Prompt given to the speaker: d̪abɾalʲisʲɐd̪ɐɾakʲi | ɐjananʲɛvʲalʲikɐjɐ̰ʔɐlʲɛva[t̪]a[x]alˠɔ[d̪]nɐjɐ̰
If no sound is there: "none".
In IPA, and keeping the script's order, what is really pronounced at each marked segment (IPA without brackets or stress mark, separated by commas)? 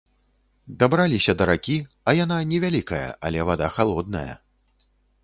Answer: d̪, x, d̪